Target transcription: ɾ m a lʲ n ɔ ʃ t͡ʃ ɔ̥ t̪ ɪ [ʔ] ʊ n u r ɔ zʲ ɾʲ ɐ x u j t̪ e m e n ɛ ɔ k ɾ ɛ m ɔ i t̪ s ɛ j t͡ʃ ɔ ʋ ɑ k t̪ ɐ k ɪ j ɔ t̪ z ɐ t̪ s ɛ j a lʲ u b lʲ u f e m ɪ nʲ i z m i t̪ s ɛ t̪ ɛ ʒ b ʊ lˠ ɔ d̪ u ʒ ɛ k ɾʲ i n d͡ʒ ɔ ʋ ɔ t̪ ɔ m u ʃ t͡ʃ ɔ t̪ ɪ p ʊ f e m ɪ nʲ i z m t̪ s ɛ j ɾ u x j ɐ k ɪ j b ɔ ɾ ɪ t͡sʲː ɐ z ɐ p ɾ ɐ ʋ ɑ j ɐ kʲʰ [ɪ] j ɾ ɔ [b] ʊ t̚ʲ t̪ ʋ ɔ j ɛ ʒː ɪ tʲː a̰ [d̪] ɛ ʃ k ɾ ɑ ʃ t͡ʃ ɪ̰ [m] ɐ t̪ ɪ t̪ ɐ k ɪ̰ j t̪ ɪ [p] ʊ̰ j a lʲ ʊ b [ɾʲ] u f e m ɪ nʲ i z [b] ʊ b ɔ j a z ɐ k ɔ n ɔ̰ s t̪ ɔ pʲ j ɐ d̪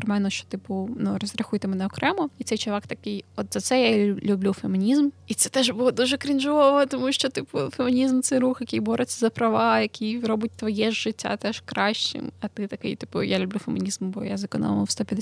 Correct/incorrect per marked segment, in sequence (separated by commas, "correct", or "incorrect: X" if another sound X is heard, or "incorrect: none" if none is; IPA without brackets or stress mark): incorrect: p, incorrect: i, correct, incorrect: t̪, correct, correct, incorrect: lʲ, incorrect: m